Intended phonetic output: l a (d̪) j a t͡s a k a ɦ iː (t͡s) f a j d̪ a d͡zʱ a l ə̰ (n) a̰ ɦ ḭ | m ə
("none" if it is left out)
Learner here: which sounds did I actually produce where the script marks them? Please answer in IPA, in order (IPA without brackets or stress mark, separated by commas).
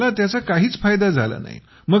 t̪, t͡s, n